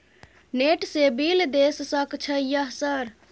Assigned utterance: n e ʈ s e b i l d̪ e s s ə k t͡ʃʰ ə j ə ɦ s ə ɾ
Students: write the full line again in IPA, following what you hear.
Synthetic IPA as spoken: n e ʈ s e b i l d̪ e s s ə k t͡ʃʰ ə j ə ɦ s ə ɾ